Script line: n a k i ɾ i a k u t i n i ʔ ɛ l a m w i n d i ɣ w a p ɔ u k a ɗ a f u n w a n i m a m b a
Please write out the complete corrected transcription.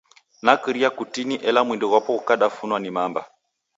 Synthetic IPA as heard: n a k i ɾ i a k u t i n i ʔ ɛ l a m w i n d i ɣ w a p ɔ u k a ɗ a f u n w a n i m a m b a